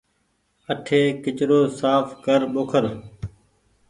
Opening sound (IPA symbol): ə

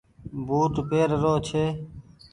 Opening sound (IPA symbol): b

